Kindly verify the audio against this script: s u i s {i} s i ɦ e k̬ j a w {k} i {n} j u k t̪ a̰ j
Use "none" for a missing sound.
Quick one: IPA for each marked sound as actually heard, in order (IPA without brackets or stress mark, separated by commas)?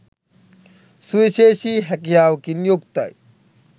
e, k, n